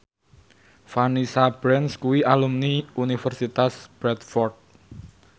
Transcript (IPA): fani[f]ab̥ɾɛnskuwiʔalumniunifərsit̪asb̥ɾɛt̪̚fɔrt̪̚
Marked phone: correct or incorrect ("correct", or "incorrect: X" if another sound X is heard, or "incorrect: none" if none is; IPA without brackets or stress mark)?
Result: incorrect: s